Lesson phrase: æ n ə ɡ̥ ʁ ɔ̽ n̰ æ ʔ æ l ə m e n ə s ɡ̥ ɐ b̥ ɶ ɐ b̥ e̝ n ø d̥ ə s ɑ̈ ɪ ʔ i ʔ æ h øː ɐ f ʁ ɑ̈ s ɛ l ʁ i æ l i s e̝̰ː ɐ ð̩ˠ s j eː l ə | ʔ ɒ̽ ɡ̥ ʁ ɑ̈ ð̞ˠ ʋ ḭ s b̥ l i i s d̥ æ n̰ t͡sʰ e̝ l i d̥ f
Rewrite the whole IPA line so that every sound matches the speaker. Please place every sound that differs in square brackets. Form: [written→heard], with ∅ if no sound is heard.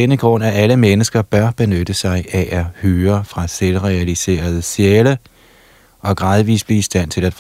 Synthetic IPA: [æ→e] n ə ɡ̥ ʁ ɔ̽ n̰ æ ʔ æ l ə m e n ə s ɡ̥ ɐ b̥ ɶ ɐ b̥ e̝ n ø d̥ ə s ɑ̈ ɪ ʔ [i→æ] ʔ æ h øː ɐ f ʁ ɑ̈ s [ɛ→e] l ʁ [i→ɛ] æ l i s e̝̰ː ɐ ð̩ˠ s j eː l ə | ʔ ɒ̽ ɡ̥ ʁ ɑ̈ ð̞ˠ ʋ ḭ s b̥ l i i s d̥ æ n̰ t͡sʰ e̝ l [i→æ] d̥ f